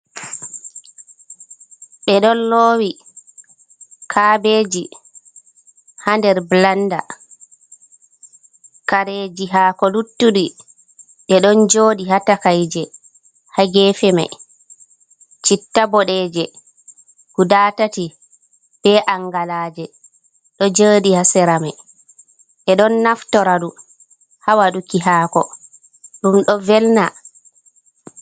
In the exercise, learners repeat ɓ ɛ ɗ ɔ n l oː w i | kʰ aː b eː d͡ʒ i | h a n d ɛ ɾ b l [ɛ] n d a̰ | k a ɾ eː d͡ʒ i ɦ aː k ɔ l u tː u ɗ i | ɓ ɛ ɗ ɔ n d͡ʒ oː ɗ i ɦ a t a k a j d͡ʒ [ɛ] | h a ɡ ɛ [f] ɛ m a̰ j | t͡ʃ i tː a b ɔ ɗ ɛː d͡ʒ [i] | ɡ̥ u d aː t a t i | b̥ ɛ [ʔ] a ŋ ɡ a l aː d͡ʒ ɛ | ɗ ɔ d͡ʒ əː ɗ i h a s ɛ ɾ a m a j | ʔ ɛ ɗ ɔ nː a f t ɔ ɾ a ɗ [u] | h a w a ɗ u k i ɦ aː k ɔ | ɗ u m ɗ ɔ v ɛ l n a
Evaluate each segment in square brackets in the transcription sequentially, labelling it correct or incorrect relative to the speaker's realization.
incorrect, correct, correct, incorrect, correct, correct

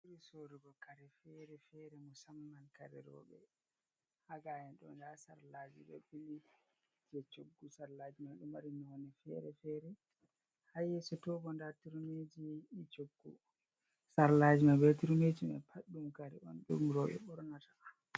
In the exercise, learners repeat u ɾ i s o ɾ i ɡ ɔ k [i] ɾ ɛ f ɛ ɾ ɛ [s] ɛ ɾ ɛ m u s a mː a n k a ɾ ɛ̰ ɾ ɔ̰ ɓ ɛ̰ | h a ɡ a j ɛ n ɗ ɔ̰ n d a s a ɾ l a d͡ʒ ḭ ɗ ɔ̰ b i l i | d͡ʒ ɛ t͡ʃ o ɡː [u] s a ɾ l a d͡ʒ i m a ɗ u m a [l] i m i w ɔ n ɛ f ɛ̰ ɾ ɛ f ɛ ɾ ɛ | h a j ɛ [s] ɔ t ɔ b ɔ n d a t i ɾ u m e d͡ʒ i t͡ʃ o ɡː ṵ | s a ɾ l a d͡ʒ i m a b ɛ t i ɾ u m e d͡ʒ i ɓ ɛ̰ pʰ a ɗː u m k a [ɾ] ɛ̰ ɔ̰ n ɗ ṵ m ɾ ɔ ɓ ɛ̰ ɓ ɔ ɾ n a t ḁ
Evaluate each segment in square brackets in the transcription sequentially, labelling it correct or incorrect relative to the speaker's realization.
incorrect, incorrect, correct, incorrect, correct, correct

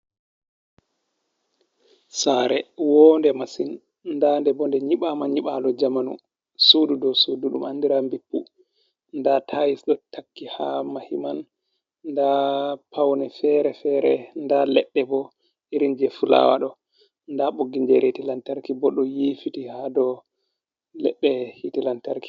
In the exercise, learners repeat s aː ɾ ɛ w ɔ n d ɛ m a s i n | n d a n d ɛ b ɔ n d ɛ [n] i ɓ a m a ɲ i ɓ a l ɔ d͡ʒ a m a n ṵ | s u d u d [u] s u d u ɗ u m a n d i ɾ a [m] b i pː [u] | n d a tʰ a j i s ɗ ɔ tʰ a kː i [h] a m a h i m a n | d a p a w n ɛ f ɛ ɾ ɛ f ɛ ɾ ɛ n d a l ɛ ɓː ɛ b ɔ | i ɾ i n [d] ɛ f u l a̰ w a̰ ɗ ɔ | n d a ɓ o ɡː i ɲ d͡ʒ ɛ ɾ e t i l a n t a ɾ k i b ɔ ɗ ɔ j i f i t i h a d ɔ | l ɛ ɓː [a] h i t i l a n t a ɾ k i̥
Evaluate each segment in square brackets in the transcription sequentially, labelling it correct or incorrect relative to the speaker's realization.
incorrect, incorrect, correct, correct, correct, incorrect, incorrect

